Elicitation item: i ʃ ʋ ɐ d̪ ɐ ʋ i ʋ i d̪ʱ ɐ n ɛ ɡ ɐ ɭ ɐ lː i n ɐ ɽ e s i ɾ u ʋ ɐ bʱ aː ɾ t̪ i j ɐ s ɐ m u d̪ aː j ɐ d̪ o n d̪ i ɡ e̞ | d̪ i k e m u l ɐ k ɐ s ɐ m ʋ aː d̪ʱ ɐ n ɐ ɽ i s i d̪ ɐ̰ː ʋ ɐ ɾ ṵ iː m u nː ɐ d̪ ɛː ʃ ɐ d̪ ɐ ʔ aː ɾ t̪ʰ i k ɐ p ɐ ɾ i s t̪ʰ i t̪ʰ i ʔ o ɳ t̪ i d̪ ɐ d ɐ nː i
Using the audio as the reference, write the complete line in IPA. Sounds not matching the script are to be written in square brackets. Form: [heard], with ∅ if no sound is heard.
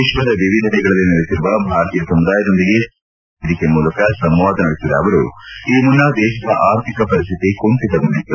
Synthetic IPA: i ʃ ʋ ɐ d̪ ɐ ʋ i ʋ i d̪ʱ ɐ n ɛ ɡ ɐ ɭ ɐ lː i n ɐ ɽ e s i ɾ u ʋ ɐ bʱ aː ɾ t̪ i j ɐ s ɐ m u d̪ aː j ɐ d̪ o n d̪ i ɡ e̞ | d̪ i k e m [uː] l ɐ k ɐ s ɐ m ʋ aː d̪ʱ ɐ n ɐ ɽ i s i d̪ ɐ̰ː ʋ ɐ ɾ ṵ iː m u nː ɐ d̪ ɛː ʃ ɐ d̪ ɐ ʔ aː ɾ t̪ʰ i k ɐ p ɐ ɾ i s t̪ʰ i [t̪] i [k] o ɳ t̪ i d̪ ɐ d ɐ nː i